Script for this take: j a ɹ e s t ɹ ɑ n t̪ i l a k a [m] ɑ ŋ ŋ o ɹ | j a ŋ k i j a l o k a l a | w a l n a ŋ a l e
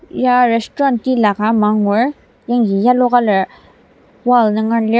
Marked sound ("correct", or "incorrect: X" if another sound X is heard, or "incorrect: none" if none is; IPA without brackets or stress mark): correct